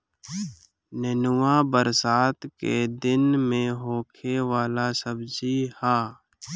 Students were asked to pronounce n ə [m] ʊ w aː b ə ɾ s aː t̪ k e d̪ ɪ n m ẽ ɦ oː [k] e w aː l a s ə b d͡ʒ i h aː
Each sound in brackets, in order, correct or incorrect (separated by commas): incorrect, incorrect